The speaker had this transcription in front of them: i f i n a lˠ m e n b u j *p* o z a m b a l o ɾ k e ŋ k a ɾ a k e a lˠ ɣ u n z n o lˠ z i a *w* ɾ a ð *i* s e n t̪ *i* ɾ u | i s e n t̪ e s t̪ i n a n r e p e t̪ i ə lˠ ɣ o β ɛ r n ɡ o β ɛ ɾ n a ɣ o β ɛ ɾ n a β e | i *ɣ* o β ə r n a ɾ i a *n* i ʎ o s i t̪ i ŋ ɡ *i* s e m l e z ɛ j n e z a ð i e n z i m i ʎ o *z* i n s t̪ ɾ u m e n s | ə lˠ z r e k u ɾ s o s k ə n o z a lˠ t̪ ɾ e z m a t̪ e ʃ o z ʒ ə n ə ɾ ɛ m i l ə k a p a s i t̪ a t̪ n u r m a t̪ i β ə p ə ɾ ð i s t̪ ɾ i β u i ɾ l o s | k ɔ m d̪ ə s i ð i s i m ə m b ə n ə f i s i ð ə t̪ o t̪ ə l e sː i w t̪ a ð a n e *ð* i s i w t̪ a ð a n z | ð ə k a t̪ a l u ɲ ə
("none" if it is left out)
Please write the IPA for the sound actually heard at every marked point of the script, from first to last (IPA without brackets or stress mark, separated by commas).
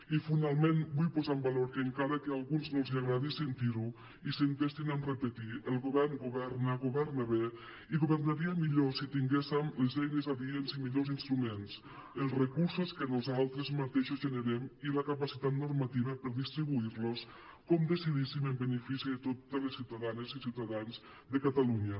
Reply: p, ɣ, i, i, ɣ, m, e, z, z